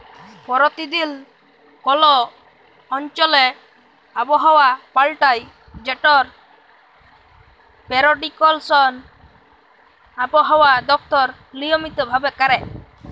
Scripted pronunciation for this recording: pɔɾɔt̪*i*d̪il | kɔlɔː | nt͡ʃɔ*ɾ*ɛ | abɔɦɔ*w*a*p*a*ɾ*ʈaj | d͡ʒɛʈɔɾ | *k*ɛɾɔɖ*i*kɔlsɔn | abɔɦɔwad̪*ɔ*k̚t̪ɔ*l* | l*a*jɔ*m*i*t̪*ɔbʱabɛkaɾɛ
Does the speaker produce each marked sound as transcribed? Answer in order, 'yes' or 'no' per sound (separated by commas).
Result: yes, no, yes, yes, no, no, yes, yes, no, no, yes, yes